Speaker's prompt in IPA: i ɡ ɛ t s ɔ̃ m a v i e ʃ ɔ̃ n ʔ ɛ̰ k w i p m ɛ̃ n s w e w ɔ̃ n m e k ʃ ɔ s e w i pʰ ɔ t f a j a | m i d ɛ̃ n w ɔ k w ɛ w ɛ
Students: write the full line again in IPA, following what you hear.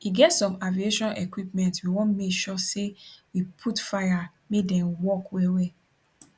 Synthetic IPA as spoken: i ɡ ɛ t s ɔ̃ m a v i e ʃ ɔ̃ n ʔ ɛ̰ k w i p m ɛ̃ n t w i w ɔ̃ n m e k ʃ ɔ s e w i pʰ u t f a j a | m e d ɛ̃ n w ɔ k w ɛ w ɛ